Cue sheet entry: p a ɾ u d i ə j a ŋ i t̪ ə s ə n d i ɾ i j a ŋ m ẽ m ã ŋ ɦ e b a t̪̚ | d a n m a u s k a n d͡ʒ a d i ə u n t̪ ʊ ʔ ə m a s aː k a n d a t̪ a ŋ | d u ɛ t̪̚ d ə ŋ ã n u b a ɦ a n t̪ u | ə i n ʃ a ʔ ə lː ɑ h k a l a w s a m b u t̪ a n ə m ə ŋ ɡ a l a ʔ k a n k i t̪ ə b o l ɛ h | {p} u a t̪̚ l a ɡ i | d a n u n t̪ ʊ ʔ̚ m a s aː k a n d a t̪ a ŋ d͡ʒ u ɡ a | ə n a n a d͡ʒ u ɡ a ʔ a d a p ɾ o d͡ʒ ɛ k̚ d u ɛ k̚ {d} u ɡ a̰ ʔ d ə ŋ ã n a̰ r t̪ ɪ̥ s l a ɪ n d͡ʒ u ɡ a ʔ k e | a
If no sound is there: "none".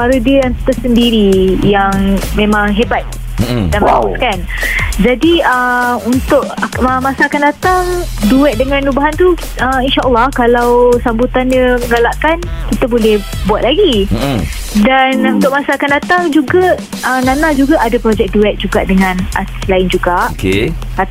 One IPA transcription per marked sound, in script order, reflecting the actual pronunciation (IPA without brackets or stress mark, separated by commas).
b, d͡ʒ